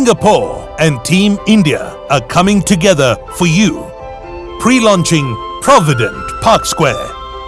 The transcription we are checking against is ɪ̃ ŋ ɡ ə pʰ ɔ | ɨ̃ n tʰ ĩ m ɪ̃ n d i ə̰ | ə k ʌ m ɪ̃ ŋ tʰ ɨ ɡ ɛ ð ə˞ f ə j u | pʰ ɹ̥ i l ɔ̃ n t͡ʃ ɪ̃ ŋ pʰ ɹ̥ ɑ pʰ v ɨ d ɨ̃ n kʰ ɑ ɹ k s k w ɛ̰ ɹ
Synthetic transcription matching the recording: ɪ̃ ŋ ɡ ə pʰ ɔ | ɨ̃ n tʰ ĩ m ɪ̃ n d i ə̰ | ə kʰ ʌ m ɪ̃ ŋ tʰ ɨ ɡ ɛ ð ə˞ f ə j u | pʰ ɹ̥ i l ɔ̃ n t͡ʃ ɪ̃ ŋ pʰ ɹ̥ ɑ v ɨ d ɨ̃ n pʰ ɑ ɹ k s k w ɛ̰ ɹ